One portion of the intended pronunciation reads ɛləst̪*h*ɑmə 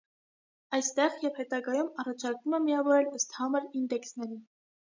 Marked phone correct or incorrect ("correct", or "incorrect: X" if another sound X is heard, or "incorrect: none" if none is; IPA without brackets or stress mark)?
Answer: correct